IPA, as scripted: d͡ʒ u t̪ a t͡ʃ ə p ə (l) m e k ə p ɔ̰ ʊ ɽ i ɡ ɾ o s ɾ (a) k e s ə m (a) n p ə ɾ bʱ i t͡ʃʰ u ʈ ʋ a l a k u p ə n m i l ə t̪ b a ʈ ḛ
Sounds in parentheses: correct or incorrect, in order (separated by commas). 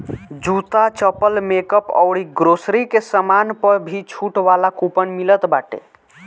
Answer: correct, incorrect, correct